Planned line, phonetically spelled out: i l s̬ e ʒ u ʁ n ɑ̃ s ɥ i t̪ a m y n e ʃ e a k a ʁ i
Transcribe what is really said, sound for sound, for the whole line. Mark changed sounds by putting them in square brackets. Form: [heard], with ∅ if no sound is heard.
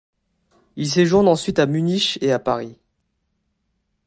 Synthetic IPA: i l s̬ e ʒ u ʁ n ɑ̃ s ɥ i t̪ a m y n [i] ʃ e a [p] a ʁ i